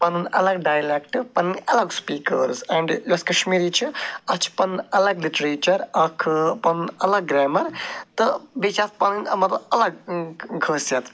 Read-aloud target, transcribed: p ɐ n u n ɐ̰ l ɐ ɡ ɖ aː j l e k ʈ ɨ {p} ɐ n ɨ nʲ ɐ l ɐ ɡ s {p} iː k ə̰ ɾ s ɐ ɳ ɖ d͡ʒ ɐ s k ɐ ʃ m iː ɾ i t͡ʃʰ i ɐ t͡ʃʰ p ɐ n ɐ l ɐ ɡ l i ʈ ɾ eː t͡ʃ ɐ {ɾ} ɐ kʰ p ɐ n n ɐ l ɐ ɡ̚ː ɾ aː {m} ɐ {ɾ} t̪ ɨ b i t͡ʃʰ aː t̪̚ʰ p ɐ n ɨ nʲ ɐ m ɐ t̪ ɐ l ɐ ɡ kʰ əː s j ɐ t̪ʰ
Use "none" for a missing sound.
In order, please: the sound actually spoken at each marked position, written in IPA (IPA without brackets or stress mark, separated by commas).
p, p, ɾ, m, ɾ